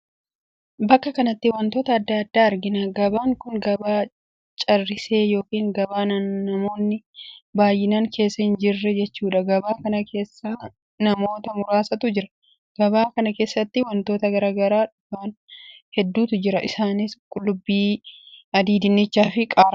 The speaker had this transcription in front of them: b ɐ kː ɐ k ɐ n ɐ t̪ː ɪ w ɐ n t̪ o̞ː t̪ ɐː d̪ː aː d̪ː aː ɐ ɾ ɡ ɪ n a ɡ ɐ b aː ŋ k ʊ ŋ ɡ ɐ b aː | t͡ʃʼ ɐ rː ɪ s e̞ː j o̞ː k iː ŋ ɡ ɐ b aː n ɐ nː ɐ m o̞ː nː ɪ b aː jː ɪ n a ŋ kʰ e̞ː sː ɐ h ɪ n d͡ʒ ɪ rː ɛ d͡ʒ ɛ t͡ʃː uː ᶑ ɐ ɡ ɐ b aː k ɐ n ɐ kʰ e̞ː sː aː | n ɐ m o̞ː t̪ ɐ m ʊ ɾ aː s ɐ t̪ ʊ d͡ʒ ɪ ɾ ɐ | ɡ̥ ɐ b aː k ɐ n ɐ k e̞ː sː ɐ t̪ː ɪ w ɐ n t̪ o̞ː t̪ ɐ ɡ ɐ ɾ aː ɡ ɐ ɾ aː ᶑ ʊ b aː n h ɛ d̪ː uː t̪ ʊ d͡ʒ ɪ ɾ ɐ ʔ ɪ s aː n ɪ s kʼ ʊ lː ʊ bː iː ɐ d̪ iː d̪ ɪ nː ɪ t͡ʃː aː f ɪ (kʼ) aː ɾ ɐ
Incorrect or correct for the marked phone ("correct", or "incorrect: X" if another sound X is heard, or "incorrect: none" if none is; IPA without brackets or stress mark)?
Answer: correct